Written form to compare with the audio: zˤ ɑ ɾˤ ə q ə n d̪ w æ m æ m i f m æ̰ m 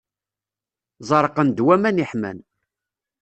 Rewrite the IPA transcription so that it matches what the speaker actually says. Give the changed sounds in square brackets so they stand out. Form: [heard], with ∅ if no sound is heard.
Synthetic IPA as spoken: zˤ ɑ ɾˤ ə q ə n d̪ w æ m æ [n] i [ħ] m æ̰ [n]

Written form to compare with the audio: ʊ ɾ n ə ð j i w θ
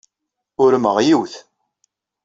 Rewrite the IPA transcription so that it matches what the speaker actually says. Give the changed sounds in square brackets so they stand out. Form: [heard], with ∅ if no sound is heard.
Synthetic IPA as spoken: ʊ ɾ [m] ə [ʁ] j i w θ

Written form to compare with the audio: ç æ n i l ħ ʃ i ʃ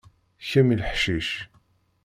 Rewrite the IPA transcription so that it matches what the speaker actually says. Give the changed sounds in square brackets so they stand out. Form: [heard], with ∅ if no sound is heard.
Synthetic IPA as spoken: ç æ [m] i l ħ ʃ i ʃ

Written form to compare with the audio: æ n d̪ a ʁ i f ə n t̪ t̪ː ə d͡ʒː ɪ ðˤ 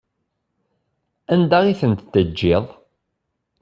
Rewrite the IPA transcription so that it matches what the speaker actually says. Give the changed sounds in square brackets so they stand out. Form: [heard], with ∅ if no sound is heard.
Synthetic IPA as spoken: æ n d̪ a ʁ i [θ] ə n t̪ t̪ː ə d͡ʒː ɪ ðˤ

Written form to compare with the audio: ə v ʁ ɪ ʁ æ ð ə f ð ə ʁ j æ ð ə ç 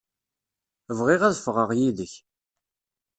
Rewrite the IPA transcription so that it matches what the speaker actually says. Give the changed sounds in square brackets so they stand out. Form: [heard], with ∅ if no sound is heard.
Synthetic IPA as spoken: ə v ʁ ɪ ʁ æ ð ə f [ʁ] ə ʁ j [i] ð ə ç

